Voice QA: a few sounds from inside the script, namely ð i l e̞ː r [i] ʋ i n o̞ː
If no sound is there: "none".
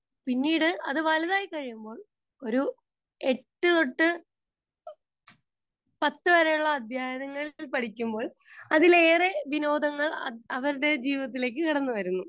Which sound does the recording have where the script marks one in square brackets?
e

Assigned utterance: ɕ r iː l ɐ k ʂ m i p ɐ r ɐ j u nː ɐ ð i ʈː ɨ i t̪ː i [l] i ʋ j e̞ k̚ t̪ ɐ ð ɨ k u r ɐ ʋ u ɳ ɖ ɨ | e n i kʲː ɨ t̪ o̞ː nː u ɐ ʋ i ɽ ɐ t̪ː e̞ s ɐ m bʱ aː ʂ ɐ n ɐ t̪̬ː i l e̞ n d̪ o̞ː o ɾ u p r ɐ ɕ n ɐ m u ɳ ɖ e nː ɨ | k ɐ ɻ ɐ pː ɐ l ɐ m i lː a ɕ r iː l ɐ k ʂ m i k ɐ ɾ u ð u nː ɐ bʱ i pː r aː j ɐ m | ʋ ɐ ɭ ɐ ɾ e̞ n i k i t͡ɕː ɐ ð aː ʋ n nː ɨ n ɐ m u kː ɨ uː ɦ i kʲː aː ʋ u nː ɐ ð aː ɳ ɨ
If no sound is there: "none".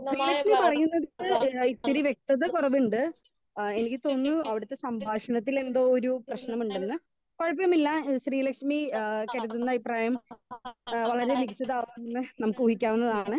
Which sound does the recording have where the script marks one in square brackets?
ɾ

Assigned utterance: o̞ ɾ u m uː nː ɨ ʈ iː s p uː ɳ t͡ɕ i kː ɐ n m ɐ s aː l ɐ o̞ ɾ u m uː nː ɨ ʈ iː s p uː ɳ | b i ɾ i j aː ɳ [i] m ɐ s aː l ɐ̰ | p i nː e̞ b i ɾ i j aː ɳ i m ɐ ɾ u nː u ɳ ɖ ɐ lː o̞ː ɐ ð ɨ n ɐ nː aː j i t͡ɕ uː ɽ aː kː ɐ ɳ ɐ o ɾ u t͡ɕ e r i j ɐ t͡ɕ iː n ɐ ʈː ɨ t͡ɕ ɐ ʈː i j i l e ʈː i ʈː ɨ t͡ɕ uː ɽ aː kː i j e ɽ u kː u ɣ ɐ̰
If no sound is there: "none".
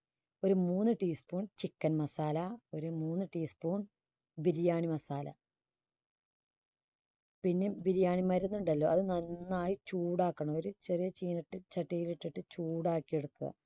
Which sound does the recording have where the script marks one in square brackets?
i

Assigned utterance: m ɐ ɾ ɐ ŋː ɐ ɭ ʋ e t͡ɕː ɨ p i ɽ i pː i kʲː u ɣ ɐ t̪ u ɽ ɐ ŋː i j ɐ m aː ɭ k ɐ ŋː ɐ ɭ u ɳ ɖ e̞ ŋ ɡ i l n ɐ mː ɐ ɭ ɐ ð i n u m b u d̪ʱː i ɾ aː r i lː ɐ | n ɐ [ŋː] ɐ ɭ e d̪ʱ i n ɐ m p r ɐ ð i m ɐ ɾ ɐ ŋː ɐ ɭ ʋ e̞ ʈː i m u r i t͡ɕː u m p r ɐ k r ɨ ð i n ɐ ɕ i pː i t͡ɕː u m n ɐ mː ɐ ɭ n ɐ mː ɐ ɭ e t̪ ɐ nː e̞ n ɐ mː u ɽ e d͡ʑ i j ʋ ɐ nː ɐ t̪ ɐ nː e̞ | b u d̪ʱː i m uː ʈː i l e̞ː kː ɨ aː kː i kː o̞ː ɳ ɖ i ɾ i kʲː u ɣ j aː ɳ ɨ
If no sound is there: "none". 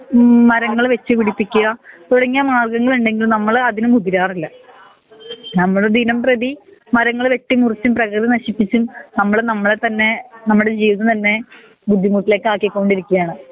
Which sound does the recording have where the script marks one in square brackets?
mː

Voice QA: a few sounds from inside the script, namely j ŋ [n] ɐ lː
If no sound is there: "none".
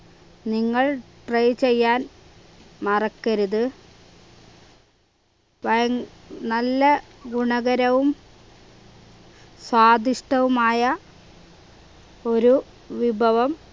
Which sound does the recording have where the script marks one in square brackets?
n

